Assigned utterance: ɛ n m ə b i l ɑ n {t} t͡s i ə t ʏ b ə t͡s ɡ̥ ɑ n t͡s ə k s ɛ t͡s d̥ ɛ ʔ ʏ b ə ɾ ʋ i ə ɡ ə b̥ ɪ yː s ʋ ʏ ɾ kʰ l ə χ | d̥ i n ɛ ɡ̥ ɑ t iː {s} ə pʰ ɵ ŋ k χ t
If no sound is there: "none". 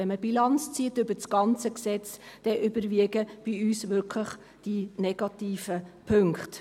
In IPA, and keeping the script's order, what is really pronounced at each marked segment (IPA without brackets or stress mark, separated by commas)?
t͡s, f